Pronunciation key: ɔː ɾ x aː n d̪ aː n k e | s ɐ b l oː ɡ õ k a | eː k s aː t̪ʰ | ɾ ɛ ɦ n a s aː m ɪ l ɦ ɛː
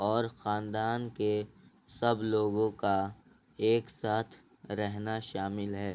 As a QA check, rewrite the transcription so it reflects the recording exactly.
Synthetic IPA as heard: ɔː ɾ x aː n d̪ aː n k e | s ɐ b l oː ɡ õ k a | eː k s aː t̪ʰ | ɾ ɛ ɦ n a ʃ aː m ɪ l ɦ ɛː